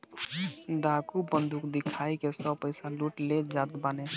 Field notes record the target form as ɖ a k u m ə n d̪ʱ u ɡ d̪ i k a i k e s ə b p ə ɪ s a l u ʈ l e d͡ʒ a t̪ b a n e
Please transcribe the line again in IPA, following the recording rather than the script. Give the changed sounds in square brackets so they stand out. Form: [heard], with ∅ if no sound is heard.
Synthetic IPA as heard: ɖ a k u [b] ə n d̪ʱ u [k] d̪ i [kʰ] a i k e s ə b p ə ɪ s a l u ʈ l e d͡ʒ a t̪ b a n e